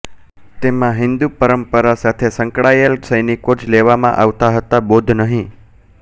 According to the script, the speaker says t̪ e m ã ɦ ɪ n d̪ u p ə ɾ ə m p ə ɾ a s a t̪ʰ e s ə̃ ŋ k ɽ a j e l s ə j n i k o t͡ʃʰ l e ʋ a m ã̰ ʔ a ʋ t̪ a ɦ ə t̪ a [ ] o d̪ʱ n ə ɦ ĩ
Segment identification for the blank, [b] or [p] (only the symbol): b